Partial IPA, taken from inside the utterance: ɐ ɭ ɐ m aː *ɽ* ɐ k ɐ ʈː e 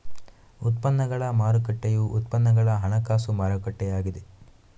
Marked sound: incorrect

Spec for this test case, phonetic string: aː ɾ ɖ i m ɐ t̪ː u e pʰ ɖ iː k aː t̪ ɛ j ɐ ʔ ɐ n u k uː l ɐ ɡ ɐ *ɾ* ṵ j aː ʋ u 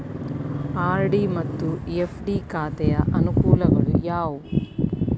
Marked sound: incorrect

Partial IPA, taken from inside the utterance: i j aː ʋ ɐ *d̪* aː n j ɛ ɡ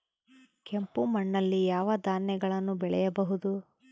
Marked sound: correct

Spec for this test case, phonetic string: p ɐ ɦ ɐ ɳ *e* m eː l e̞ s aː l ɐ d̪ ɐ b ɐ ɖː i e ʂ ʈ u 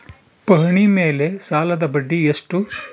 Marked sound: incorrect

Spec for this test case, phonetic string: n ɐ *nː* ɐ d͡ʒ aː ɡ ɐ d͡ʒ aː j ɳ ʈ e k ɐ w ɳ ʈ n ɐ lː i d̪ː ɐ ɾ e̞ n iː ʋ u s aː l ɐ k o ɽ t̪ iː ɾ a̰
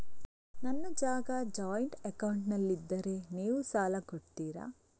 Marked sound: correct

